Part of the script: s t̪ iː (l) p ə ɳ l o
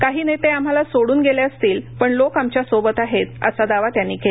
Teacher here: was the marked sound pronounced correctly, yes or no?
yes